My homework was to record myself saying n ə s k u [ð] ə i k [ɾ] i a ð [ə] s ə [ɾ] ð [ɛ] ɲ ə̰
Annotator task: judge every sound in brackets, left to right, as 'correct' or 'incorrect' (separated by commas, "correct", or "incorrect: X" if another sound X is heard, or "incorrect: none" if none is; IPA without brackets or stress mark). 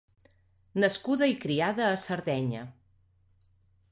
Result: correct, correct, incorrect: əː, correct, correct